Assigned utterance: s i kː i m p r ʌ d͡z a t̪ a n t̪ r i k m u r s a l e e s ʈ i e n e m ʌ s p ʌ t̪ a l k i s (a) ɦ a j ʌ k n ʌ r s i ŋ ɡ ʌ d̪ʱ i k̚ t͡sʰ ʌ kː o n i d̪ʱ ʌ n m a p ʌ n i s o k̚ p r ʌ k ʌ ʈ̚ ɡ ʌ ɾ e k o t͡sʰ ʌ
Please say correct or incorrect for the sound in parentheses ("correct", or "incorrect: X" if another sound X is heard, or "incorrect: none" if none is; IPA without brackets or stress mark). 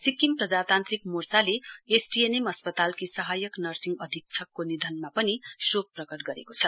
incorrect: ʌ